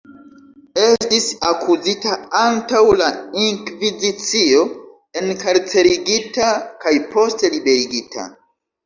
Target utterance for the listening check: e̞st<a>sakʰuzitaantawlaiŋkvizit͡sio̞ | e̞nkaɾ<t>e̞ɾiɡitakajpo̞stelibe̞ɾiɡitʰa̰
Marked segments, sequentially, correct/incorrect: incorrect, incorrect

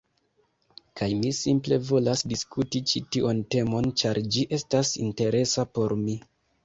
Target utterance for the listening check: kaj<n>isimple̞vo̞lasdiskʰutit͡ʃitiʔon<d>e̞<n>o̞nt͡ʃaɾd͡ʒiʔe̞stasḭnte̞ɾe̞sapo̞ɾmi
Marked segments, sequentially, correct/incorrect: incorrect, incorrect, incorrect

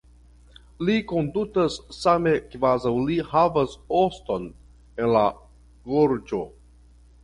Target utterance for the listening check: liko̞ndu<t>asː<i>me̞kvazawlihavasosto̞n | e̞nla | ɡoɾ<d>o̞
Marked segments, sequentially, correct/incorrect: correct, incorrect, incorrect

